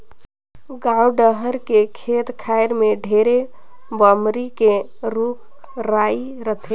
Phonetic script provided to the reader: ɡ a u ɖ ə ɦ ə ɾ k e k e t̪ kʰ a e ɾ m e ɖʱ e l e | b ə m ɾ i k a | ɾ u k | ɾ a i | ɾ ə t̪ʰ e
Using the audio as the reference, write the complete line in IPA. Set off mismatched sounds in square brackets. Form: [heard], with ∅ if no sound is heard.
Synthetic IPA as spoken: ɡ a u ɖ ə ɦ ə ɾ k e [kʰ] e t̪ kʰ a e ɾ m e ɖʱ e [ɾ] e | b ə m ɾ i k [e] | ɾ u k | ɾ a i | ɾ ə t̪ʰ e